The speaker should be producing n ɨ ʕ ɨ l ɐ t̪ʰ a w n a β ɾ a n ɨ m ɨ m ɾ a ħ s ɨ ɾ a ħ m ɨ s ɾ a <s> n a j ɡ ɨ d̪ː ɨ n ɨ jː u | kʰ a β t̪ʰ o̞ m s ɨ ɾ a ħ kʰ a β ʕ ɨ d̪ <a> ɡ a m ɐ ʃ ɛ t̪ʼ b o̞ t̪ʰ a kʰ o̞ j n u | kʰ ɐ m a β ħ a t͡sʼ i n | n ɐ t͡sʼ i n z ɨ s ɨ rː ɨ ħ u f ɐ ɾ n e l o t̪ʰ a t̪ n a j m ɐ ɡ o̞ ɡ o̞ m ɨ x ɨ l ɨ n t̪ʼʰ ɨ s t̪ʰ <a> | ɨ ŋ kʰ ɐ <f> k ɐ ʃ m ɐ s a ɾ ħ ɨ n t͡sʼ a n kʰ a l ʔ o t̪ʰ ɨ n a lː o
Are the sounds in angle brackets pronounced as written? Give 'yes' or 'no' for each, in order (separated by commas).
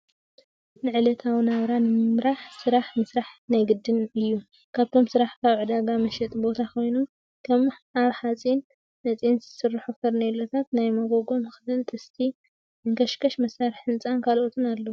no, yes, no, no